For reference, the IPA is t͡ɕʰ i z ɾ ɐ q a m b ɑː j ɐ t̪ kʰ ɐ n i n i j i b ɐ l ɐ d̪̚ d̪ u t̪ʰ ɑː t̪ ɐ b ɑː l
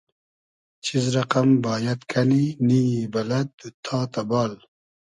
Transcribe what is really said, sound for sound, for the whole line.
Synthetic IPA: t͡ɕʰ i z ɾ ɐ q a m b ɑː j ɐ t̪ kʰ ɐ n i n i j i b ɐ l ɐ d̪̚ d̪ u t̪ʰ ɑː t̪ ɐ b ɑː l